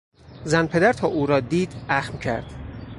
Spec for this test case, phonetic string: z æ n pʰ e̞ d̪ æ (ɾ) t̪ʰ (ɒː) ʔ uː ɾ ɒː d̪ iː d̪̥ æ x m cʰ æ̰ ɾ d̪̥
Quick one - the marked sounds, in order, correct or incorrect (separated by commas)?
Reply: correct, correct